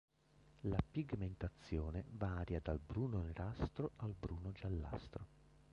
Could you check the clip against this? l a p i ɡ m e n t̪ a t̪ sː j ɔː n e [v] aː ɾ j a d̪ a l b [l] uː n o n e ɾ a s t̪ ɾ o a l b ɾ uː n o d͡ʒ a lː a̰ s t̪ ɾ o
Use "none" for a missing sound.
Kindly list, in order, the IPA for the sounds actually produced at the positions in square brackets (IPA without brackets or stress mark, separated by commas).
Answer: v, ɾ